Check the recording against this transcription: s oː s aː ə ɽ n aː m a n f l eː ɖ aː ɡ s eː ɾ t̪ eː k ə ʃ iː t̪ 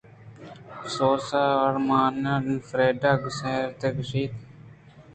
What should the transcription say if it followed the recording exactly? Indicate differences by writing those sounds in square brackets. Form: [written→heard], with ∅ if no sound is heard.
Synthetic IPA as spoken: s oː s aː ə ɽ [n→m] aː [m→n] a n f [l→ɾ] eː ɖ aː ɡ s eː ɾ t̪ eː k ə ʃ iː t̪